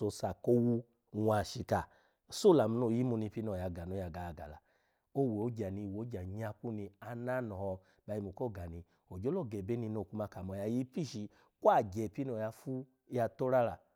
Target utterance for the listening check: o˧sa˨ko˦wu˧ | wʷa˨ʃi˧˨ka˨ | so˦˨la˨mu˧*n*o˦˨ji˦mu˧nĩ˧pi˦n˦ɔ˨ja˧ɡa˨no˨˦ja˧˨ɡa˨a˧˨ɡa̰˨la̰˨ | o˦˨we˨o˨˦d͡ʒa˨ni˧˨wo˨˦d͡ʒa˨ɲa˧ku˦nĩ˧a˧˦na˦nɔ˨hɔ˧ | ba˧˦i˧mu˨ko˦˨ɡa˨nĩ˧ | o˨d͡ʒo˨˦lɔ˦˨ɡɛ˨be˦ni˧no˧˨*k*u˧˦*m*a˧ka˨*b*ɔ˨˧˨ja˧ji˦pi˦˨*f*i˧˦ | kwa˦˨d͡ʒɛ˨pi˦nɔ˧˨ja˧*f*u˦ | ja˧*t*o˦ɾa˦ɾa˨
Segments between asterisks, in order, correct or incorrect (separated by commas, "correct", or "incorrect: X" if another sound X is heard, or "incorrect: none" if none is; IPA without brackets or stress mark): correct, correct, correct, incorrect: m, incorrect: ʃ, correct, correct